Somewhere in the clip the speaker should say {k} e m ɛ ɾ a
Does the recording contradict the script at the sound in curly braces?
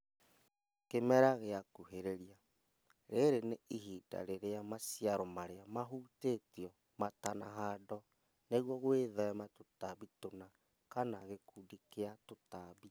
no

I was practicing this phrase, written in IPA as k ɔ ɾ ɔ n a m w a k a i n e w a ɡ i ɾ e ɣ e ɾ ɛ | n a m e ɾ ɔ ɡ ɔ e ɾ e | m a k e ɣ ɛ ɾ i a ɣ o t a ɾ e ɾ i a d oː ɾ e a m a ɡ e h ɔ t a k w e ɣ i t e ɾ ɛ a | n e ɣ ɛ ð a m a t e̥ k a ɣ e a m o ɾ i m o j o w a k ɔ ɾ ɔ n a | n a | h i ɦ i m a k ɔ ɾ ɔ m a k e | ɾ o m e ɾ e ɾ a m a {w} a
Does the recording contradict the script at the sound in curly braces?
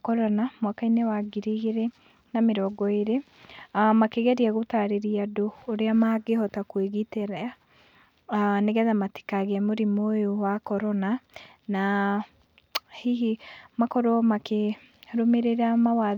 no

